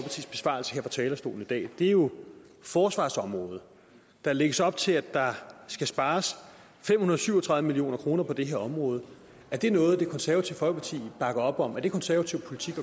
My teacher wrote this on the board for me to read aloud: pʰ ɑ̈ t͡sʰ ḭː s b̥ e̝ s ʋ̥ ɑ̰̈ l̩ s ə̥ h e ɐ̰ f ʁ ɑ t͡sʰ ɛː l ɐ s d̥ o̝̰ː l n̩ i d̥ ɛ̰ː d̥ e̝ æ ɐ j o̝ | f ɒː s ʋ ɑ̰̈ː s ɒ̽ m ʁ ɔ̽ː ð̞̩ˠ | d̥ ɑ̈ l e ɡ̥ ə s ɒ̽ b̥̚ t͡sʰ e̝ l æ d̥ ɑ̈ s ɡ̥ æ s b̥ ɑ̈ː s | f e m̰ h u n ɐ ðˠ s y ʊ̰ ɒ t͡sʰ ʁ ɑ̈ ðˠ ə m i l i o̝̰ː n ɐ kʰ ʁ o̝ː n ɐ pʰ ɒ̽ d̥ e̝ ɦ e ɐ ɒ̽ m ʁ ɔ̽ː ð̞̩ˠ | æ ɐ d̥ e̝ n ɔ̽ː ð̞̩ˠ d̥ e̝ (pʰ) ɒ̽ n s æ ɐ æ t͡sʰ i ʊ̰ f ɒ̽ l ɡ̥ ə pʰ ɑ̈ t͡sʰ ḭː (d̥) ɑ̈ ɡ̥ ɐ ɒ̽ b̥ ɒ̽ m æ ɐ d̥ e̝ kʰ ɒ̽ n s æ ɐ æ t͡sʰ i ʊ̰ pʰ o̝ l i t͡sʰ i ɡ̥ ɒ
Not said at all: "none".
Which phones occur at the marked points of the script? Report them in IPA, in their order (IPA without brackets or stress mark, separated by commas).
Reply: kʰ, b̥